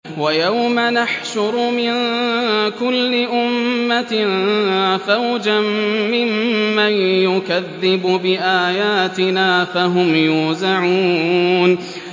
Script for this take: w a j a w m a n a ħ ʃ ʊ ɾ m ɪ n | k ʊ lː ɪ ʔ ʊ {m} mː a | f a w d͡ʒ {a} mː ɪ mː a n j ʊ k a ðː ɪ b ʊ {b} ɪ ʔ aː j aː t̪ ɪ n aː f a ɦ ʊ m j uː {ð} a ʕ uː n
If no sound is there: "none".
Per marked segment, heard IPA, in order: m, a, b, z

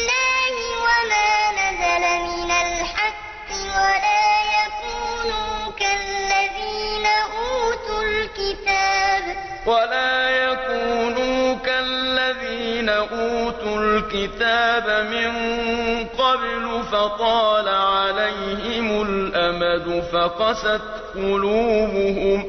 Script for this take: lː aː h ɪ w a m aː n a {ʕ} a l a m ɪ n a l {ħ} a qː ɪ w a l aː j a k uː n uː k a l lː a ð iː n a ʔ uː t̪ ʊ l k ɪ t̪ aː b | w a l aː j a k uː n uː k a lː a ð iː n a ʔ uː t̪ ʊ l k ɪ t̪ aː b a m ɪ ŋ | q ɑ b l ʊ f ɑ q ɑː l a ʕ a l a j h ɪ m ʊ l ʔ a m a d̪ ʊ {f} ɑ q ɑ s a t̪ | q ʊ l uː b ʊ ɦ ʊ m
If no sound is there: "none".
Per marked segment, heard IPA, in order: z, ħ, f

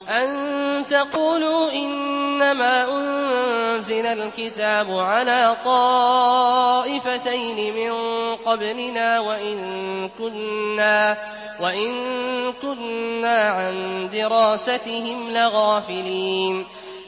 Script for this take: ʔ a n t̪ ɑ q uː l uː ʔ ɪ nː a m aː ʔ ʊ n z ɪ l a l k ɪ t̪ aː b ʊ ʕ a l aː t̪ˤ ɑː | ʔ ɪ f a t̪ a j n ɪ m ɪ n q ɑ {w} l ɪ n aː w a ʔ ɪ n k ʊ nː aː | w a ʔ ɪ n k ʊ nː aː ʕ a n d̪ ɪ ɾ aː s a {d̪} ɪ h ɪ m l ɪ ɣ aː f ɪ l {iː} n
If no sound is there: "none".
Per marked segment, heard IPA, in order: b, t̪, iː

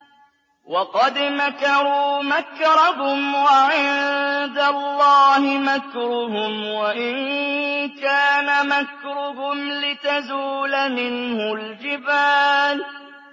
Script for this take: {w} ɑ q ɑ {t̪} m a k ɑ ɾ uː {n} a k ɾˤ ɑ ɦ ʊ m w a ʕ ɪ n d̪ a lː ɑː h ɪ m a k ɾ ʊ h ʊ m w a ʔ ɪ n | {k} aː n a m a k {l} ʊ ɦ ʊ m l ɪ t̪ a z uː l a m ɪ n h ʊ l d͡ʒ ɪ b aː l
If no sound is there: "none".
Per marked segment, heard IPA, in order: w, d̪, m, k, ɾ

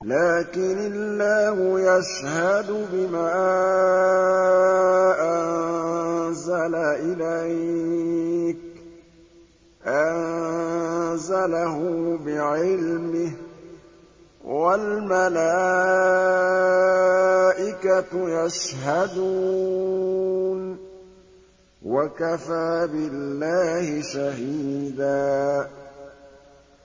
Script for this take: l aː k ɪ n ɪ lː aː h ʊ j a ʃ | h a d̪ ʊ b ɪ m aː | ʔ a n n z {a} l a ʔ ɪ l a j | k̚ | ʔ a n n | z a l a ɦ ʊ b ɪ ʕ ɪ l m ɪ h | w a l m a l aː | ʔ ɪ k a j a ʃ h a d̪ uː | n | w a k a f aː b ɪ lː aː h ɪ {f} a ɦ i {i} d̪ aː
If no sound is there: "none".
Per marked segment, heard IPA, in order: a, ʃ, iː

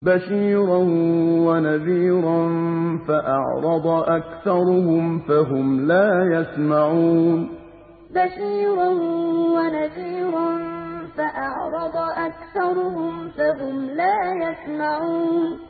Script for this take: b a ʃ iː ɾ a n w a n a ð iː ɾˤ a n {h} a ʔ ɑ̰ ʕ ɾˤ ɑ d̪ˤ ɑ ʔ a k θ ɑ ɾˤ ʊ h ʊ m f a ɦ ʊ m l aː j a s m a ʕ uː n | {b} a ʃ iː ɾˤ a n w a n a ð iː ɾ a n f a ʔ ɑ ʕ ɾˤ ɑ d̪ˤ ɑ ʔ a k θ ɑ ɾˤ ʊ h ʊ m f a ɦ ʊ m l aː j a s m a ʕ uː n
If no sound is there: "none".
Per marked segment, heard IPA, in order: f, b

